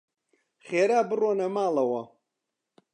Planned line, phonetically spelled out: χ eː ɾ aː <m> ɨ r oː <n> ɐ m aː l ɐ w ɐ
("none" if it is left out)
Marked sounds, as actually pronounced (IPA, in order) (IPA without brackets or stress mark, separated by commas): b, n